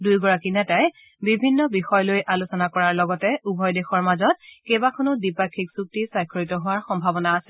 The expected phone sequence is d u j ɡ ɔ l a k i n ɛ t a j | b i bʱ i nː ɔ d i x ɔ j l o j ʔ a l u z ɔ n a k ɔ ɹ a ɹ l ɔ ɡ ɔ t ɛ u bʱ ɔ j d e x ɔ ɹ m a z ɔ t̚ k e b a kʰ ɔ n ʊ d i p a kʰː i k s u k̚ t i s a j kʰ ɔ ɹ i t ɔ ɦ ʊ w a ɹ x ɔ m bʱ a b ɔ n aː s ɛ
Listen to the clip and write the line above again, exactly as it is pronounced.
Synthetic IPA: d u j ɡ ɔ ɹ a k i n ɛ t a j | b i bʱ i nː ɔ b i x ɔ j l o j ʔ a l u s ɔ n a k ɔ ɹ a ɹ l ɔ ɡ ɔ t ɛ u bʱ ɔ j d e x ɔ ɹ m a z ɔ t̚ k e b a kʰ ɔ n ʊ d i p a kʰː i k s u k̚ t i s a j kʰ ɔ ɹ i t ɔ ɦ ʊ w a ɹ x ɔ m bʱ a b ɔ n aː s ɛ